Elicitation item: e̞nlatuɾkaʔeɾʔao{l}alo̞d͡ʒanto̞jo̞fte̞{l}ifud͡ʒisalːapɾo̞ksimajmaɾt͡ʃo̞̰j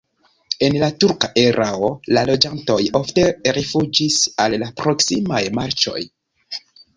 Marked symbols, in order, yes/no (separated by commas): yes, no